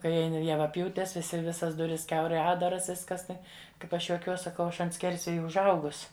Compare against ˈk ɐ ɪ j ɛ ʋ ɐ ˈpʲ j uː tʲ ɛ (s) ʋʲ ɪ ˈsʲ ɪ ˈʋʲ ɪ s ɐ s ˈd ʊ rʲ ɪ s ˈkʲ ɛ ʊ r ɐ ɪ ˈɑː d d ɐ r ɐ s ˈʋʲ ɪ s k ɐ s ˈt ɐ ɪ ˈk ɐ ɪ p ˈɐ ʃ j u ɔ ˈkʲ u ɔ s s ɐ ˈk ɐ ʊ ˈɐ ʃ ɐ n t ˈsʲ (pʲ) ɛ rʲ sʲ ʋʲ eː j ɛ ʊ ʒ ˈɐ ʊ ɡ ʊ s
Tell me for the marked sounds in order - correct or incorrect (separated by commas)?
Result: correct, incorrect